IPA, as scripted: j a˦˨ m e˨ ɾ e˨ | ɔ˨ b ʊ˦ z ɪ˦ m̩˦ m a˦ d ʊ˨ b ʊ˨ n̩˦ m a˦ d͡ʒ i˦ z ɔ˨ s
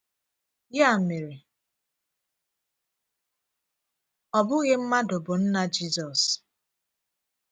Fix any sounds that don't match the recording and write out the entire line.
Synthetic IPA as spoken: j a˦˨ m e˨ ɾ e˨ | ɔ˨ b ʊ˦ ɣ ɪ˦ m̩˦ m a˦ d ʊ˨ b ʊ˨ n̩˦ n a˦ d͡ʒ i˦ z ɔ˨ s